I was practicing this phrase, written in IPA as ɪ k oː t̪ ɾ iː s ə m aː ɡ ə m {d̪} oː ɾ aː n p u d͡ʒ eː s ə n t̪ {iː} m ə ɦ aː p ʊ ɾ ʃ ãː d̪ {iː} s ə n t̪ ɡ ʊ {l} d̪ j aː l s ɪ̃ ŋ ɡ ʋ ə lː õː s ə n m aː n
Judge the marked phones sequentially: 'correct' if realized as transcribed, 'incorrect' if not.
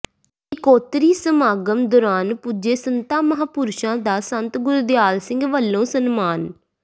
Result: correct, incorrect, incorrect, incorrect

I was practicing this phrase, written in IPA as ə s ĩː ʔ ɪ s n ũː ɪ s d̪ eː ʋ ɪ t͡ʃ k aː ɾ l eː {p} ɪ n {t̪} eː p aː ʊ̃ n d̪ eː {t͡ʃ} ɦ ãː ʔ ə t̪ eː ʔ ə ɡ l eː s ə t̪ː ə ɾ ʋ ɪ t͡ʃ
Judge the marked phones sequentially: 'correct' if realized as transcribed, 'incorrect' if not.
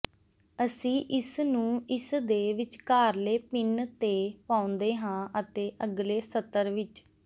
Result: correct, correct, incorrect

